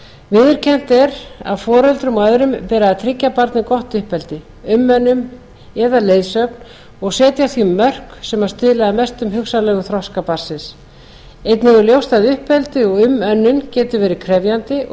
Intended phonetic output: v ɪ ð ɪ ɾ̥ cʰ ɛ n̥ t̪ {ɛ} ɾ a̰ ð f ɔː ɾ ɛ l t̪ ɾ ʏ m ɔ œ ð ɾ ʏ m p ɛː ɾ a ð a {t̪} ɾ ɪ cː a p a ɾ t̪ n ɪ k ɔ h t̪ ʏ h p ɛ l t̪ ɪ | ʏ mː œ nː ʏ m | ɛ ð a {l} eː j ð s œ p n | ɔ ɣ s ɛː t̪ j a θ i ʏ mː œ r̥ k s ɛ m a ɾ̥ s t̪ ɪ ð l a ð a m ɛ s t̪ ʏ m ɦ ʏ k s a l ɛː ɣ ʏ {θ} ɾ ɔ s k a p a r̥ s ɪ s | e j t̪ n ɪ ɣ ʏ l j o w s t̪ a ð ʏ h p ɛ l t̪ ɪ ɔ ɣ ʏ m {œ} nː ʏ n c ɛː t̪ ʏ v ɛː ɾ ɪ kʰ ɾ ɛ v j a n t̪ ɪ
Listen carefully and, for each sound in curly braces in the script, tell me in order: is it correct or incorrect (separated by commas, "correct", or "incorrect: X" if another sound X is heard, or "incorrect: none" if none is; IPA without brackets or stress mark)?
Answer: correct, incorrect: t̪ʰ, correct, correct, correct